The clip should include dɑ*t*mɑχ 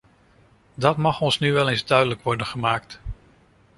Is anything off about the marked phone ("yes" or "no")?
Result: no